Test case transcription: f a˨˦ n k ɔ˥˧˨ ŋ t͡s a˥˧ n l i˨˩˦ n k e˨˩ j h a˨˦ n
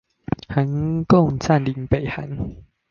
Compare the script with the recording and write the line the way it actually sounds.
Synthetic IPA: h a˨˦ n k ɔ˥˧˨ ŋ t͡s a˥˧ n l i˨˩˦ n p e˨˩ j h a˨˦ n